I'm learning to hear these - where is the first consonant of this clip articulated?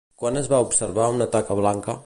velum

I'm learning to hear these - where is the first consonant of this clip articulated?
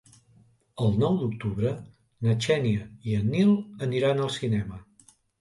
tongue tip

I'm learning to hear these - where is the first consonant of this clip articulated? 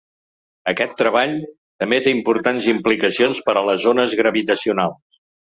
velum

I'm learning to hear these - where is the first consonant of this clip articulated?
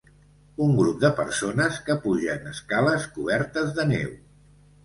velum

